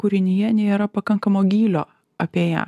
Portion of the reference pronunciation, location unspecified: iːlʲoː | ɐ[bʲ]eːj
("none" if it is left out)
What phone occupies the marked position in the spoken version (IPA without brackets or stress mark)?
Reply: pʲ